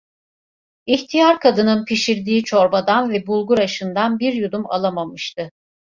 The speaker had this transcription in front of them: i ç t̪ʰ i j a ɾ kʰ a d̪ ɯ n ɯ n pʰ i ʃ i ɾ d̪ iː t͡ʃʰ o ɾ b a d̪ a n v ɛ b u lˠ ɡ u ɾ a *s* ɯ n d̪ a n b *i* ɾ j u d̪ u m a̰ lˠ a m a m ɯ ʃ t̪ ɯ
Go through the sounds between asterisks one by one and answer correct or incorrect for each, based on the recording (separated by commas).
incorrect, correct